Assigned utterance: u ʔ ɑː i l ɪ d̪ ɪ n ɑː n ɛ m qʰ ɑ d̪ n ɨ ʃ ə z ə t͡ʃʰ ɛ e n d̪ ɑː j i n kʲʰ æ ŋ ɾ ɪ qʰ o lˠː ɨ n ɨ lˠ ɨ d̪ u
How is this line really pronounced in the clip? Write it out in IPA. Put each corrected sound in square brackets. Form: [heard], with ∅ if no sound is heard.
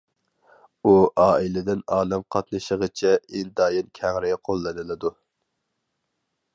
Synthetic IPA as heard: u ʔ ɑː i l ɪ d̪ ɪ n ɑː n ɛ m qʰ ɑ [t̪] n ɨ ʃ ə [ʁ] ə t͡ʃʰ ɛ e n d̪ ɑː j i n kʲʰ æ ŋ ɾ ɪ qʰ o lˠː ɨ n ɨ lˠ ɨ d̪ u